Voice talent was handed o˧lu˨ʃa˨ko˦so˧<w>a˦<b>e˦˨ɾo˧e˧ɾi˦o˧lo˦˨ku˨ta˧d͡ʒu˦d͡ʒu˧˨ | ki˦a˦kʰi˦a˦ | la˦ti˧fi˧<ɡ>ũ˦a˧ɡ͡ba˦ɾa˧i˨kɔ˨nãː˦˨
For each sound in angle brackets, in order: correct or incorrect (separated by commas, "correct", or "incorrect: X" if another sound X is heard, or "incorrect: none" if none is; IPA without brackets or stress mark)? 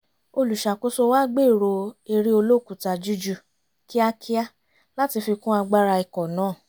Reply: correct, incorrect: ɡ͡b, incorrect: k